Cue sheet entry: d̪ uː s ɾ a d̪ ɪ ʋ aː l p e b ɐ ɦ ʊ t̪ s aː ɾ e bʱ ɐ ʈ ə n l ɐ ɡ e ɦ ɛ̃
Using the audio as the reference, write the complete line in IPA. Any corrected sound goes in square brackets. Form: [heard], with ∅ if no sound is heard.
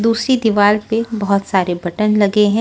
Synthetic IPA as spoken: d̪ uː s ɾ [i] d̪ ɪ ʋ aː l p e b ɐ ɦ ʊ t̪ s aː ɾ e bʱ ɐ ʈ ə n l ɐ ɡ e ɦ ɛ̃